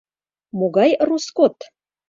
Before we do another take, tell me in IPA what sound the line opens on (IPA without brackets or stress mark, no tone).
m